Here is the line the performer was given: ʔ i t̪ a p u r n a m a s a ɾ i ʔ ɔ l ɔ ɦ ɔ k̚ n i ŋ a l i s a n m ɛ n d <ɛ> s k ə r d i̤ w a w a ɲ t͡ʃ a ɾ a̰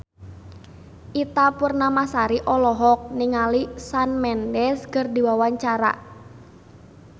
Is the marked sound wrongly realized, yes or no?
no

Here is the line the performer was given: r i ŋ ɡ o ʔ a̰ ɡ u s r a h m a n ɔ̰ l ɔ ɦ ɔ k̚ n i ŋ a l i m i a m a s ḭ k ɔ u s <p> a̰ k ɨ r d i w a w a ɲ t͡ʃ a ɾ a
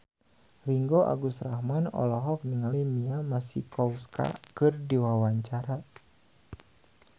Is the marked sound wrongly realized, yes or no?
yes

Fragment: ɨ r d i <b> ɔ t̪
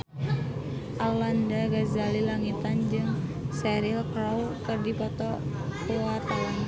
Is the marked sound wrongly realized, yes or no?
yes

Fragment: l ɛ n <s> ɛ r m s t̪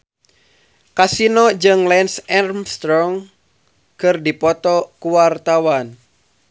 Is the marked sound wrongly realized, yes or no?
no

